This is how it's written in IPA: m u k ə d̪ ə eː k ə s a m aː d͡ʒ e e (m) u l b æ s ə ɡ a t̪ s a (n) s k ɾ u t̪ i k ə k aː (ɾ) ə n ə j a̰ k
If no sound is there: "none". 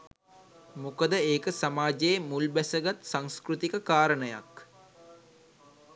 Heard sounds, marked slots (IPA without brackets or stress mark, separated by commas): m, ŋ, ɾ